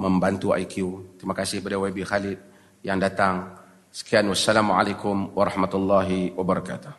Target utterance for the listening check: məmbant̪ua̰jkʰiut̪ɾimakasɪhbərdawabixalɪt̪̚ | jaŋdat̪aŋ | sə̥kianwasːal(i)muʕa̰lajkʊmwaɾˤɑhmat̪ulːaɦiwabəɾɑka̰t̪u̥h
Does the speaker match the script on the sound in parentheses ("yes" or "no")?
no